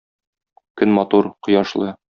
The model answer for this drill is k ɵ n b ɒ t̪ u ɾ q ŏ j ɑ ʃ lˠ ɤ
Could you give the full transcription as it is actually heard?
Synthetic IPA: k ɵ n m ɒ t̪ u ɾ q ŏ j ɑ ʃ lˠ ɤ